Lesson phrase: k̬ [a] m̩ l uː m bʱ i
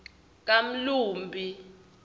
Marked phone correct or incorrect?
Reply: correct